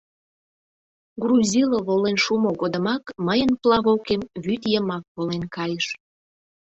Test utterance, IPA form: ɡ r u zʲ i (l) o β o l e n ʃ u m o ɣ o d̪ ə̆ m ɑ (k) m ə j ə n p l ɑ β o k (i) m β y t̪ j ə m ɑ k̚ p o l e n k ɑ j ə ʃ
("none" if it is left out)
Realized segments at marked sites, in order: l, k, e

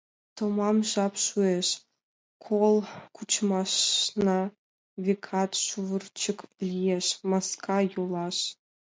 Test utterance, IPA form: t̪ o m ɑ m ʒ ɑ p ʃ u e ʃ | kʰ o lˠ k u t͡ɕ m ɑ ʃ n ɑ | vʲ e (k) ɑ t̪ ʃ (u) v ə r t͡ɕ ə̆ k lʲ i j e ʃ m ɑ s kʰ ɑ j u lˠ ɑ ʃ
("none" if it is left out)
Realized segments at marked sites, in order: kʰ, u

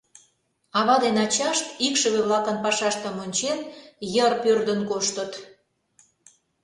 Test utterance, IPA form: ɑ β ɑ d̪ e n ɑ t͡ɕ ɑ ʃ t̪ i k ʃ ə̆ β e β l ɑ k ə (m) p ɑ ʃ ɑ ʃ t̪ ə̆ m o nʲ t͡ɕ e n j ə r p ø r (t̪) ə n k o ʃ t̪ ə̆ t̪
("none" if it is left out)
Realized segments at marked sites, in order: n, d̪

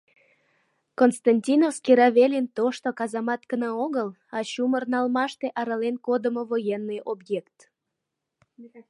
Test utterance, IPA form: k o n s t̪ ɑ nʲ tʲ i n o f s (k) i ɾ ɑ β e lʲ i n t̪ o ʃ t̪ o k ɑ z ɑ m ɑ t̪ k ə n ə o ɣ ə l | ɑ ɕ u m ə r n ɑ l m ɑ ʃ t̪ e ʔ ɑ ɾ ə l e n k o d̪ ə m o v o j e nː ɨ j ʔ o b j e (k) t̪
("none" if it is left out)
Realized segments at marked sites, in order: k, k

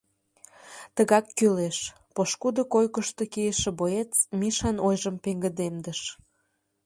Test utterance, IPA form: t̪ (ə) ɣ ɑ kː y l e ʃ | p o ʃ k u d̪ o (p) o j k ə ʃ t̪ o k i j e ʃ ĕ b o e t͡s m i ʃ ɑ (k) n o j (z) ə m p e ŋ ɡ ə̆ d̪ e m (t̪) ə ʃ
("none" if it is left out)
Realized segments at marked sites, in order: ə, k, none, ʒ, d̪

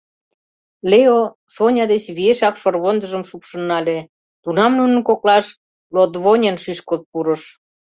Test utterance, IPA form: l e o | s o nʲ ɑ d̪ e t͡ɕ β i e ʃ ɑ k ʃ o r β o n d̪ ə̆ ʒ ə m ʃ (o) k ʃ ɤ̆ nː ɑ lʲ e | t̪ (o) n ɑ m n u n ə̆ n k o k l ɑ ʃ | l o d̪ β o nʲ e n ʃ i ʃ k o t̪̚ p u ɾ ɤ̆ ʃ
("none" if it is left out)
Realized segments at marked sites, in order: u, u

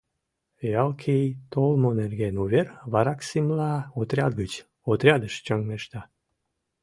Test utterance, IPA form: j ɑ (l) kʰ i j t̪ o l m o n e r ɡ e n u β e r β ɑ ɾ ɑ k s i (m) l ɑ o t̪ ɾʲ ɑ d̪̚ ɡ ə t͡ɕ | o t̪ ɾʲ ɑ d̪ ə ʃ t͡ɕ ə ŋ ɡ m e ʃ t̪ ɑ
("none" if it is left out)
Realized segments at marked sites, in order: l, m

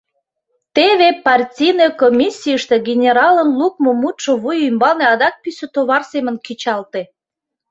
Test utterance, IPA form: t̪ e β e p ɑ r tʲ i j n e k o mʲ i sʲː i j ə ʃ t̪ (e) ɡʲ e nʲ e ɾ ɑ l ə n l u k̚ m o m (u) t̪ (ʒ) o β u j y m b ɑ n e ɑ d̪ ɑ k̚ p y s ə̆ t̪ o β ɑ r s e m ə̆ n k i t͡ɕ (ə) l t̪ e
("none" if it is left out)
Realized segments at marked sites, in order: e, u, ʃ, ɑ

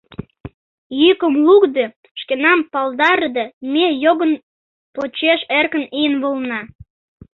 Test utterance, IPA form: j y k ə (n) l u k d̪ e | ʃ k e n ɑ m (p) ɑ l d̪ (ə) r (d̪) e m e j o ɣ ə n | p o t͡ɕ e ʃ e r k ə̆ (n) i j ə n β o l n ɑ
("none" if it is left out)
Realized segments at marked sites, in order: m, p, ɑ, d̪, n

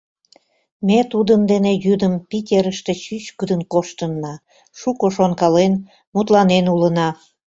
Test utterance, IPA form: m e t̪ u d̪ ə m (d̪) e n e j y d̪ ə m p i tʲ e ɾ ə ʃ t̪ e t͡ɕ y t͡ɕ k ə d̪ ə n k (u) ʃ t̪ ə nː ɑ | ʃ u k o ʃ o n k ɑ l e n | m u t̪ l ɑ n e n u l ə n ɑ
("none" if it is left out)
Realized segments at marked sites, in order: d̪, o

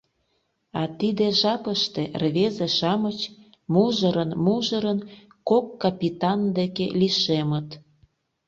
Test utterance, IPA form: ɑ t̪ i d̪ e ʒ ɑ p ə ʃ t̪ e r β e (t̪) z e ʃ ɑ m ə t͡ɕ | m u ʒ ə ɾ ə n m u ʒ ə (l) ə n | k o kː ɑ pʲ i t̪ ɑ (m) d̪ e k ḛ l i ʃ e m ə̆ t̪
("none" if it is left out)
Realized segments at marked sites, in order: none, ɾ, n

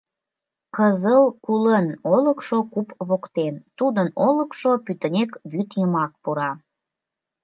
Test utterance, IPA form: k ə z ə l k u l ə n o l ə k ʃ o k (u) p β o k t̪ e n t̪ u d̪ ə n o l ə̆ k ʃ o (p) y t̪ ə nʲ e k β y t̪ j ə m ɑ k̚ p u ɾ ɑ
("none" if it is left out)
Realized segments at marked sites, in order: u, p

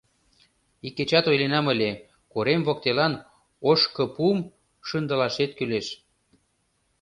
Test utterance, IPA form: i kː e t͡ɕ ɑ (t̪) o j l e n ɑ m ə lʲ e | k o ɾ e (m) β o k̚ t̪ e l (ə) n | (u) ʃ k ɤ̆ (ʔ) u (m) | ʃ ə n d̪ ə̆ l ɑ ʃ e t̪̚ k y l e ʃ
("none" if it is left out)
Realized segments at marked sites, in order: t̪, m, ɑ, o, p, m

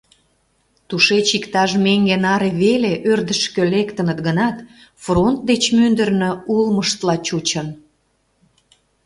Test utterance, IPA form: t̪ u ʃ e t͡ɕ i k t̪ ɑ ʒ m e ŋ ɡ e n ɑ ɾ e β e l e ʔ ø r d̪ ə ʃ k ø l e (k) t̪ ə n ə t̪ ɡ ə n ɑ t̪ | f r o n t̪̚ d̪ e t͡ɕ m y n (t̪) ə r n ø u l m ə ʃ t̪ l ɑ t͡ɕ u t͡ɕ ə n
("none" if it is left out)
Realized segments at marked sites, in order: k, d̪

